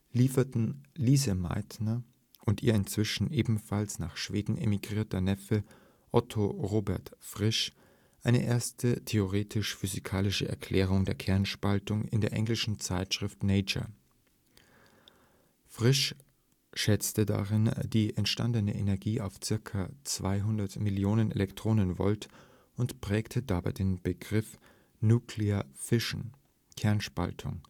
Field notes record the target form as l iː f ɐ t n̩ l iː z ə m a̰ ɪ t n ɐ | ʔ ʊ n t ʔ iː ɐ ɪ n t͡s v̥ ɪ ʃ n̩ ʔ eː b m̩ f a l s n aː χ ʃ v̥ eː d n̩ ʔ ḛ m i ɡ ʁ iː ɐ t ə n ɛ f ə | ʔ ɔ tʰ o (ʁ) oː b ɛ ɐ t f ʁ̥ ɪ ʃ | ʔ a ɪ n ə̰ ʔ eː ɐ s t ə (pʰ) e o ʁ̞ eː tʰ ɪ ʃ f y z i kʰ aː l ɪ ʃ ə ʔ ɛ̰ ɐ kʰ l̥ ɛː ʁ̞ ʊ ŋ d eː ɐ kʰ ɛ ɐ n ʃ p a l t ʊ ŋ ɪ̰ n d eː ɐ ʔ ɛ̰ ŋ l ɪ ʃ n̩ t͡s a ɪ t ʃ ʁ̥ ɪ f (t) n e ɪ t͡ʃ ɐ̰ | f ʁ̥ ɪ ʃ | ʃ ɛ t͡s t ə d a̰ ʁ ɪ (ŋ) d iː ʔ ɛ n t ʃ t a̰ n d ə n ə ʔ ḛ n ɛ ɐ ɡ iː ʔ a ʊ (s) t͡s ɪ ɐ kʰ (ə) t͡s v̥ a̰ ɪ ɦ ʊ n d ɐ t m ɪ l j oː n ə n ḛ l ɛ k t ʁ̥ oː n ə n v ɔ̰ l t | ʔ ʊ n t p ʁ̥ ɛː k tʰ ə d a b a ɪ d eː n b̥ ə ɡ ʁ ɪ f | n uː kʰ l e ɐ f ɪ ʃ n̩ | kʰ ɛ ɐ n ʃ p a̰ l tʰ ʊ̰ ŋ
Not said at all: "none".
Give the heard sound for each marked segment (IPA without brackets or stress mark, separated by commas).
ʁ, tʰ, t, n, f, a